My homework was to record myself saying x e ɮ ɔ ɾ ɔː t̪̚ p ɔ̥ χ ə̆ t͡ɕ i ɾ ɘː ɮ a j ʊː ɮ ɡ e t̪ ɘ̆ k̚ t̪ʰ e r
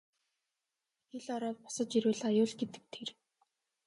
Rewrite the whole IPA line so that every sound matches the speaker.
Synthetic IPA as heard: x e ɮ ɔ ɾ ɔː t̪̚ p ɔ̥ s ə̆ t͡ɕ i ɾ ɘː ɮ a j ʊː ɮ ɡ e t̪ ɘ̆ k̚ t̪ʰ e r